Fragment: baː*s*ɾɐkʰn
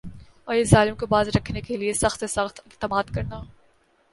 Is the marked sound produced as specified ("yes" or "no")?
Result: no